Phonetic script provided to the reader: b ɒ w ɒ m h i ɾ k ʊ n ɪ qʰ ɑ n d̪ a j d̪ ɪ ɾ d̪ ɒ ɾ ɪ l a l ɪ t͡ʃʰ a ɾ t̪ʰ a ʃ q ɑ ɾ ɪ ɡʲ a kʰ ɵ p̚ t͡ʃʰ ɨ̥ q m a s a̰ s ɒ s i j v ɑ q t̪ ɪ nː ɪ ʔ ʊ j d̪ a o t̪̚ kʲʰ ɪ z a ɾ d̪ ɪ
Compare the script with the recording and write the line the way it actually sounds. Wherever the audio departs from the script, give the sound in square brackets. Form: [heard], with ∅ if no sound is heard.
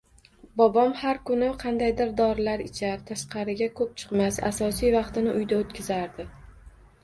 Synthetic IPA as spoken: b ɒ [b] ɒ m h [a] ɾ k ʊ n ɪ qʰ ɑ n d̪ a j d̪ ɪ ɾ d̪ ɒ ɾ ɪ l a [ɾ] ɪ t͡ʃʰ a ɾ t̪ʰ a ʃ q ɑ ɾ ɪ ɡʲ a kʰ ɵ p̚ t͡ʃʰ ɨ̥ q m a s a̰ s ɒ s i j v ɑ q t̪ ɪ [n] ɪ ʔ ʊ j d̪ a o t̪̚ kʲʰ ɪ z a ɾ d̪ ɪ